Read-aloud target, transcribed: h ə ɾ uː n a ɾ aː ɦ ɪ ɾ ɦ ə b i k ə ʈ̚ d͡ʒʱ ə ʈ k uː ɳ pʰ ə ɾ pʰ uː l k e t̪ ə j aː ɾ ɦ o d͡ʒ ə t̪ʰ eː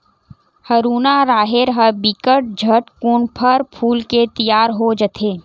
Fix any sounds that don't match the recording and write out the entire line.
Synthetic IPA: h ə ɾ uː n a ɾ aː ɦ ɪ ɾ ɦ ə b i k ə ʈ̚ d͡ʒʱ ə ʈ k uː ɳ pʰ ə ɾ pʰ uː l k e t̪ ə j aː ɾ ɦ o d͡ʒ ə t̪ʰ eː